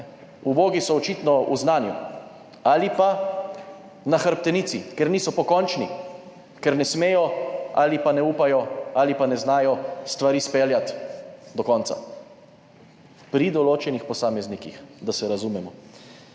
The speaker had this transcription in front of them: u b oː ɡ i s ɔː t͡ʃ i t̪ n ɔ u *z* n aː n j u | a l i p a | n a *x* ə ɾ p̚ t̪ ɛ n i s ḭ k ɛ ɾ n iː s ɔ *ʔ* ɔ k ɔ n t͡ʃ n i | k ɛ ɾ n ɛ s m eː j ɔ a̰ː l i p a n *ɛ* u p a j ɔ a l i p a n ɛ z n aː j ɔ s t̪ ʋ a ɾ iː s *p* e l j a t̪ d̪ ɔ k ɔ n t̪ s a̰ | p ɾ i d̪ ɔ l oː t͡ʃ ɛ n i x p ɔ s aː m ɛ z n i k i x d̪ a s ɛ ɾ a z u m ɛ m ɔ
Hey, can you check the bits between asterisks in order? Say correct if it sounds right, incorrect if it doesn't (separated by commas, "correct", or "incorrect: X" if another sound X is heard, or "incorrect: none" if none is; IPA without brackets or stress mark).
correct, correct, incorrect: p, correct, correct